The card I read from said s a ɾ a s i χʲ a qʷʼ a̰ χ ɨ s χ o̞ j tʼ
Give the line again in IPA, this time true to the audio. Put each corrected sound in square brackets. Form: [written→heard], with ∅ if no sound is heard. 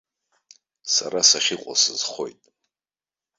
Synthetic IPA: s a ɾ a s [i→a] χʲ [a→i] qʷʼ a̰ [χ→s] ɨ [s→z] χ o̞ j tʼ